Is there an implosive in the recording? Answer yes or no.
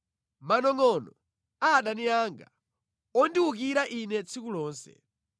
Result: yes